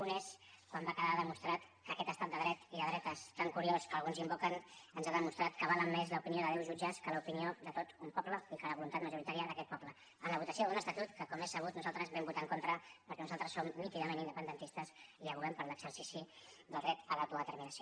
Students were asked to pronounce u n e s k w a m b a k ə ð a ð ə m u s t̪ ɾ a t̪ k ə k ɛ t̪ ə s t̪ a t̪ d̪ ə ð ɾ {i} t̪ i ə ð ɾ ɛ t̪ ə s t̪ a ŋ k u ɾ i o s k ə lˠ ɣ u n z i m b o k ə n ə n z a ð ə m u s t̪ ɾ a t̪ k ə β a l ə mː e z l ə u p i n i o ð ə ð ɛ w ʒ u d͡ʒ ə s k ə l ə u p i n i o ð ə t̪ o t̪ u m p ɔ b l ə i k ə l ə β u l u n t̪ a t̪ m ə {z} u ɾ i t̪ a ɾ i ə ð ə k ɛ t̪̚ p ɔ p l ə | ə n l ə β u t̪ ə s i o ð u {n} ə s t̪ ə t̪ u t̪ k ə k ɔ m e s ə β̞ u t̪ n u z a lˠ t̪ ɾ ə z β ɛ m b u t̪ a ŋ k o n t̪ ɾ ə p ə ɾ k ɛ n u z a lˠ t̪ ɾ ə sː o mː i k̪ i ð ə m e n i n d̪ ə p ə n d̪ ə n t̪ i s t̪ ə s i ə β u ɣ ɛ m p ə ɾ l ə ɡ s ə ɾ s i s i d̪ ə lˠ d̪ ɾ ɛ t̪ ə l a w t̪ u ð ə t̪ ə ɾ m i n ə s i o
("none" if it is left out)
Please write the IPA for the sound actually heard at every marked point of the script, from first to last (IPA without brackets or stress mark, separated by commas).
ɛ, ʒ, n